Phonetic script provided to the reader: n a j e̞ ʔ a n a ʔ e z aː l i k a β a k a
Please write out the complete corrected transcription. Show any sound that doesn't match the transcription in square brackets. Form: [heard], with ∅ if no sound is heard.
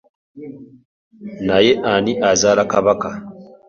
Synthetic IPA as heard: n a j e̞ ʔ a n [i] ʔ [a] z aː l [a] k a β a k a